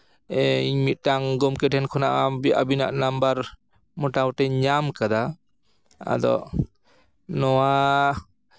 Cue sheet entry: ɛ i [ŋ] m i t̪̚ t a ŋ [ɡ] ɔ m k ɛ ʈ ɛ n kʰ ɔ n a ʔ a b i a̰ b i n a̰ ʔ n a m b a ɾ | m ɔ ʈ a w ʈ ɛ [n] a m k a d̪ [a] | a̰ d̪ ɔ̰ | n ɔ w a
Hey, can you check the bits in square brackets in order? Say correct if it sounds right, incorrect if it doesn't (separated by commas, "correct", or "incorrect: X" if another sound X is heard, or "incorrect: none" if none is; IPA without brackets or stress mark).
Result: incorrect: ɲ, correct, incorrect: ɲ, correct